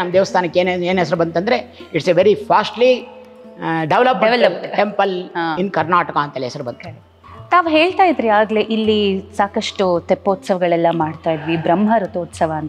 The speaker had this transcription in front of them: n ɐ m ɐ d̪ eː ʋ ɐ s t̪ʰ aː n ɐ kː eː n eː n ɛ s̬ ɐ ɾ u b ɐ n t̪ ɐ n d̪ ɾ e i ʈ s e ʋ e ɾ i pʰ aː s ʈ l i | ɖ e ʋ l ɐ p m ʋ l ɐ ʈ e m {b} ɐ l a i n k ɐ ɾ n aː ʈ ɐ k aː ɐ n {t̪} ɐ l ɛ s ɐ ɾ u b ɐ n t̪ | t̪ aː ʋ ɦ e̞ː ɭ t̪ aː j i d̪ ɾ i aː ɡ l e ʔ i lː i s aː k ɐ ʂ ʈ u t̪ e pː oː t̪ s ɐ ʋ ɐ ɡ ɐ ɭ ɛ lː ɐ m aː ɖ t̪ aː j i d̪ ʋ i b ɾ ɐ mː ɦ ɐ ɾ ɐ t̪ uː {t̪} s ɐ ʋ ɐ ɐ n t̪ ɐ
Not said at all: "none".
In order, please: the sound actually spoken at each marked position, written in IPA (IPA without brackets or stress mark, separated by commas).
p, t̪, t̪